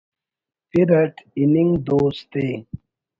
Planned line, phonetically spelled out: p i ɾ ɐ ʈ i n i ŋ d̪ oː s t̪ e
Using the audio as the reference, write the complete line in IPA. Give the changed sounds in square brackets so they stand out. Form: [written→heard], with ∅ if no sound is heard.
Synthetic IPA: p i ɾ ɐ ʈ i n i ŋ d̪ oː s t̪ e